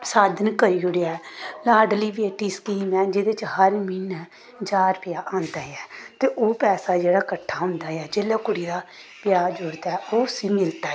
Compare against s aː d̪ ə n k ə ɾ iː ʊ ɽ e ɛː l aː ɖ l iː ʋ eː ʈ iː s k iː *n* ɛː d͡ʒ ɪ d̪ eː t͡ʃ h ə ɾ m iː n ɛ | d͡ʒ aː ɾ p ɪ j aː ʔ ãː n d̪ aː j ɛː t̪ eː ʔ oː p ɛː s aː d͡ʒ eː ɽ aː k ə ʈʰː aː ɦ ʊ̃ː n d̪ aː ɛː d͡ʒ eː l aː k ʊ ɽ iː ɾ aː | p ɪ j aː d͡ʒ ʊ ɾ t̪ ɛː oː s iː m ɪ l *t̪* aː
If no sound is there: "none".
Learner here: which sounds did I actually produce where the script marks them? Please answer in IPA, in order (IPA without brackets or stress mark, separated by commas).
m, t̪